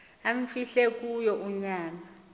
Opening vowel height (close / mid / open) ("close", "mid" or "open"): open